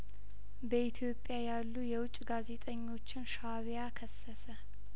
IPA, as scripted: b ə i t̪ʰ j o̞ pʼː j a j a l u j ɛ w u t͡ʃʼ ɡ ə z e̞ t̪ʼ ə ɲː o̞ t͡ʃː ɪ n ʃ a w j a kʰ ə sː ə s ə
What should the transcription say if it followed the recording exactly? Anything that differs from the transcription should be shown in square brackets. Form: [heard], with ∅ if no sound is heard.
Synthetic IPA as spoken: b ə i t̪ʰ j o̞ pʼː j a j a [lː] u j ɛ w [ʊ] t͡ʃʼ ɡ [a] z e̞ t̪ʼ ə ɲː o̞ t͡ʃː ɪ n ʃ a [β] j a kʰ ə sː ə s ə